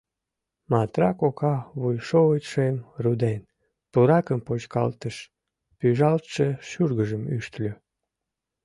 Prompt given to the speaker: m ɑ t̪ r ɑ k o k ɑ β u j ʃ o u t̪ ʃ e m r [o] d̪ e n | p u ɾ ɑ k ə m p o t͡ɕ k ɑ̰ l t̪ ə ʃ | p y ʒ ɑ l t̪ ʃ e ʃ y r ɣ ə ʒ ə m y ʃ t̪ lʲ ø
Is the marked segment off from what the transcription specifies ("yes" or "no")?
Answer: yes